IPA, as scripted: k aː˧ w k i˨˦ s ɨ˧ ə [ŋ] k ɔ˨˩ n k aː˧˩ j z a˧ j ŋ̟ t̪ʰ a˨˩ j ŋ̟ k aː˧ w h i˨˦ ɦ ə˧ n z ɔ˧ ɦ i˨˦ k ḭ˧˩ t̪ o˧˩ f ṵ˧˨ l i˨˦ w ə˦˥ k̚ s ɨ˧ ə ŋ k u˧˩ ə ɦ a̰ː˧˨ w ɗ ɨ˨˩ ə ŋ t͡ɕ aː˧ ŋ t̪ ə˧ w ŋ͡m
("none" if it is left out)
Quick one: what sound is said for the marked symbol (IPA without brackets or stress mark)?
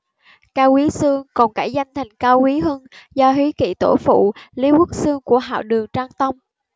ŋ